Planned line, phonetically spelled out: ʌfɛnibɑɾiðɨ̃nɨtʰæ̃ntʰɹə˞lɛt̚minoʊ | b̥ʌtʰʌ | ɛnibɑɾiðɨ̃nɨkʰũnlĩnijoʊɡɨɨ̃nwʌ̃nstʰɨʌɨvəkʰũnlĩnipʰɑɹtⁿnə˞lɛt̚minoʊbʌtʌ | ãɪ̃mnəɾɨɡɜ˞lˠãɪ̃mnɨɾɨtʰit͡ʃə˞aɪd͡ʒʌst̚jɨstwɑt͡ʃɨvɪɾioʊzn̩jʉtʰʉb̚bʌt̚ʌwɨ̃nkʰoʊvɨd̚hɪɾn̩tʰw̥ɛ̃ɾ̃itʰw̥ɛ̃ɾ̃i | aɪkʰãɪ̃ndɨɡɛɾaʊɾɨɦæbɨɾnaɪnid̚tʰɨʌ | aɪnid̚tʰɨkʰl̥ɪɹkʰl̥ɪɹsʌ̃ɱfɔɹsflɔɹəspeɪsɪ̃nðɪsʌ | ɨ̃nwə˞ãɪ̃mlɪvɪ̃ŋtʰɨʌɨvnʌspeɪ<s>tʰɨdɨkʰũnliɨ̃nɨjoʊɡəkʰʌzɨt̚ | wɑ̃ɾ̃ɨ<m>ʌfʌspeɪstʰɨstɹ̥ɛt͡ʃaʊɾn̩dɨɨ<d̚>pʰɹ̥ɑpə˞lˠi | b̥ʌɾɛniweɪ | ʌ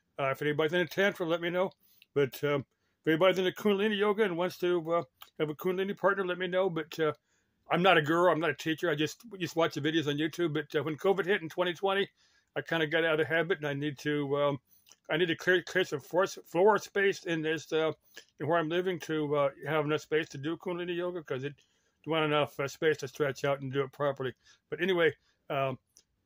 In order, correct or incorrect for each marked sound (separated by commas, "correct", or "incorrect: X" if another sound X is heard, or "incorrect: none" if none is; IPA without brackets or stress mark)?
correct, incorrect: n, incorrect: t̚